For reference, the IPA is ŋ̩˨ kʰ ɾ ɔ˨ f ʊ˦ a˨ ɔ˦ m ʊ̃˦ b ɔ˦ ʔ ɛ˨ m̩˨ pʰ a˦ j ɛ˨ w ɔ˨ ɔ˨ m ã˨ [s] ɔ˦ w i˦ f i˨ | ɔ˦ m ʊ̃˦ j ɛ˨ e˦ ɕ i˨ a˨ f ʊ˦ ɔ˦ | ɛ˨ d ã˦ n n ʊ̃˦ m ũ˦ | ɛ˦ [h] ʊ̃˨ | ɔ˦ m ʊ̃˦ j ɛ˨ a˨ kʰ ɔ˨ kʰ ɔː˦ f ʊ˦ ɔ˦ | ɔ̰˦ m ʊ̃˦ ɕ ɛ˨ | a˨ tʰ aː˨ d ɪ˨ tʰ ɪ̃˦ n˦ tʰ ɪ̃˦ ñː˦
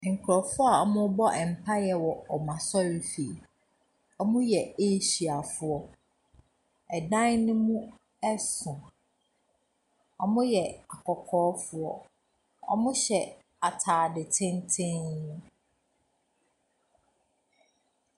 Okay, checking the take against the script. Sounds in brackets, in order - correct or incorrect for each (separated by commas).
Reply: correct, incorrect